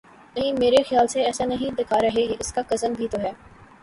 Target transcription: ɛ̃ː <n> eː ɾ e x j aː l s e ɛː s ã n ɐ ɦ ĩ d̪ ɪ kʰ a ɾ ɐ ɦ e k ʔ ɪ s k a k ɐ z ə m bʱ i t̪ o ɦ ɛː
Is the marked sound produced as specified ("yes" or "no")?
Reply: no